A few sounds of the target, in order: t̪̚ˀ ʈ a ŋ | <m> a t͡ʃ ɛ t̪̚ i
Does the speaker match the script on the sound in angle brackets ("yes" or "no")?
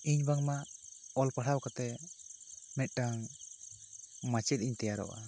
yes